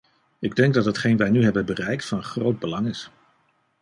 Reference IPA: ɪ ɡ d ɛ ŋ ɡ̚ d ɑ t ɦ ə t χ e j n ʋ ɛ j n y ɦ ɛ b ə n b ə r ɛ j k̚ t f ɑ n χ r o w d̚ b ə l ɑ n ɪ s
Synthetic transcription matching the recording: ɪ ɡ d ɛ ŋ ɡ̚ d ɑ t ɦ ə t χ e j n ʋ ɛ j n y ɦ ɛ b ə n b ə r ɛ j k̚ t f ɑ n χ r o w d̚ b ə l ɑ ŋ ɪ s